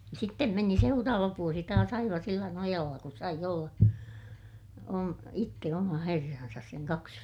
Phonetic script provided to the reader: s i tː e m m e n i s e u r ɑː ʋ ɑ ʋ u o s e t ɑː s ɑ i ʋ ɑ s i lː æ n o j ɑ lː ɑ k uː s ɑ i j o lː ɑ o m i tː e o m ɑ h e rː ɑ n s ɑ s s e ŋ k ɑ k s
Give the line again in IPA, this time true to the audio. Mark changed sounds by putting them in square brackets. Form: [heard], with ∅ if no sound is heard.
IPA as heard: s i tː e m m e n i s e u r ɑː ʋ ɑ ʋ u o s [i] t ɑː s ɑ i ʋ ɑ s i lː æ n o j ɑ lː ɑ k [u] s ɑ i j o lː ɑ o m i tː e o m ɑ h e rː ɑ n s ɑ s s e ŋ k ɑ k s